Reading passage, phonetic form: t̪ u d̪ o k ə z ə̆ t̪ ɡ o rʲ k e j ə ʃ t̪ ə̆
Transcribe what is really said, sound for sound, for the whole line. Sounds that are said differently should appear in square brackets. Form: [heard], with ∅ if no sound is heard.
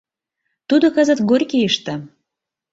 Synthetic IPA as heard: t̪ u d̪ o k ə z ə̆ t̪ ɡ o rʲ k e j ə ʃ t̪ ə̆

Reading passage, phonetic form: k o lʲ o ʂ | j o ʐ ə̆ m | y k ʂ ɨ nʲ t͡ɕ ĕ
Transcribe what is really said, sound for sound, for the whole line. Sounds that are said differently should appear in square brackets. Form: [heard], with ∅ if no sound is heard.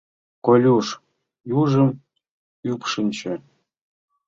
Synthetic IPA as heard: k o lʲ [u] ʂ | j [u] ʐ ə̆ m | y [p] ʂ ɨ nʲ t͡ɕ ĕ

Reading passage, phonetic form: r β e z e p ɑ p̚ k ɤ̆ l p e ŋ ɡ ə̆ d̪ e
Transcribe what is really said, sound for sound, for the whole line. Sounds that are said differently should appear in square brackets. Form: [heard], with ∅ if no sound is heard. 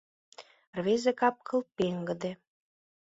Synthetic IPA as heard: r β e z e [k] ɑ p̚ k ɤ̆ l p e ŋ ɡ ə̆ d̪ e

